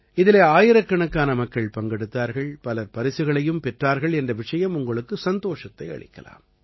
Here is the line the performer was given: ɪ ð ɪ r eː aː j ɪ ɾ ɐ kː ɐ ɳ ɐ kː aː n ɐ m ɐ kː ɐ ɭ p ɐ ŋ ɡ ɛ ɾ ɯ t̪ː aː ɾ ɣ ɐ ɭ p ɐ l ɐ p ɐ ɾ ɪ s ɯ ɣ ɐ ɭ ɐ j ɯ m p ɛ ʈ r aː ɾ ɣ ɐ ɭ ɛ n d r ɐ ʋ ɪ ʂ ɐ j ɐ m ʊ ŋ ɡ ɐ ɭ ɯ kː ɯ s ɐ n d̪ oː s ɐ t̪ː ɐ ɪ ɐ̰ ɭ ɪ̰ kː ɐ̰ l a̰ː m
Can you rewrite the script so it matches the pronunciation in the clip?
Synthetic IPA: ɪ ð ɪ l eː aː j ɪ ɾ ɐ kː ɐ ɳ ɐ kː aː n ɐ m ɐ kː ɐ ɭ p ɐ ŋ ɡ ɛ ɽ ɯ t̪ː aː ɾ ɣ ɐ ɭ p ɐ l ɐ p ɐ ɾ ɪ s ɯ ɣ ɐ ɭ ɐ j ɯ m p ɛ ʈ r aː ɾ ɣ ɐ ɭ ɛ n d r ɐ ʋ ɪ ʂ ɐ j ɐ m ʊ ŋ ɡ ɐ ɭ ɯ kː ɯ s ɐ n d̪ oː ʂ ɐ t̪ː ɐ ɪ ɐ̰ ɭ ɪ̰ kː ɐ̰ l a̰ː m